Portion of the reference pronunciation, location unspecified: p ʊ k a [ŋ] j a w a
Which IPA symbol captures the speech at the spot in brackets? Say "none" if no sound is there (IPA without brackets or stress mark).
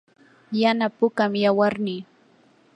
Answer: m